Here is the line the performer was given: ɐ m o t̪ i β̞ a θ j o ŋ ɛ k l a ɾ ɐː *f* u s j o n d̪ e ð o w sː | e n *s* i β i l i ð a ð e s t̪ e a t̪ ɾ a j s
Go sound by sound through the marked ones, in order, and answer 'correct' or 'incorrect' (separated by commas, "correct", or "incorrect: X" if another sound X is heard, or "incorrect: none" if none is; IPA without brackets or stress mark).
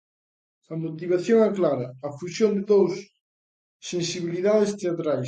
correct, correct